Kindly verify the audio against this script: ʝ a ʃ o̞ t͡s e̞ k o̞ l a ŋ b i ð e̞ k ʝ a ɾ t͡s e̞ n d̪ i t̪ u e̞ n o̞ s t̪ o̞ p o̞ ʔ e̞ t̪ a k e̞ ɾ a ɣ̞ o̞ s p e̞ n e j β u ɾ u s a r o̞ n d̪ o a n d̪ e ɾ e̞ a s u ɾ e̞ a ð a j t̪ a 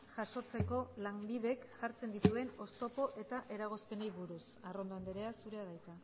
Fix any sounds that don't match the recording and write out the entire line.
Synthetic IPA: ʝ a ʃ o̞ t͡s e̞ k o̞ l a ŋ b i ð e̞ k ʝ a ɾ t͡s e̞ n d̪ i t̪ u e̞ n o̞ s t̪ o̞ p o̞ ʔ e̞ t̪ a ʔ e̞ ɾ a ɣ̞ o̞ s p e̞ n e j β u ɾ u s a r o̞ n d̪ o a n d̪ e ɾ e̞ a s u ɾ e̞ a ð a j t̪ a